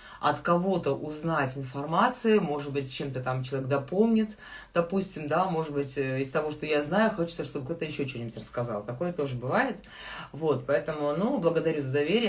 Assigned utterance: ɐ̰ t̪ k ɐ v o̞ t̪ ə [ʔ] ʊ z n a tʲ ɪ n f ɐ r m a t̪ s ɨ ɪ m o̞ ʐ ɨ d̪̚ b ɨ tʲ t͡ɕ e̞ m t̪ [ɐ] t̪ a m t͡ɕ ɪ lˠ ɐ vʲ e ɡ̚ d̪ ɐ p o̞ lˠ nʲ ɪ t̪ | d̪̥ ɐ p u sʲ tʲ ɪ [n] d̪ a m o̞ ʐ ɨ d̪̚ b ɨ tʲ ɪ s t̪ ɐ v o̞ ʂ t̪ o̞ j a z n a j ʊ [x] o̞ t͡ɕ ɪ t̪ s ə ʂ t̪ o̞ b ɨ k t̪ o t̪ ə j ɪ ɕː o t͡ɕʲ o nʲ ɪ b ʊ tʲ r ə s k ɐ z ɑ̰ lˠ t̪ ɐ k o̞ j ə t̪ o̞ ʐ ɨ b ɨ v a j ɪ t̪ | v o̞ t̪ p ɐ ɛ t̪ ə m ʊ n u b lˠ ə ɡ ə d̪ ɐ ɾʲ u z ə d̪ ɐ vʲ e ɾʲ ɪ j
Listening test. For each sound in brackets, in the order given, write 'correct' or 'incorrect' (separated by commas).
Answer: correct, incorrect, incorrect, correct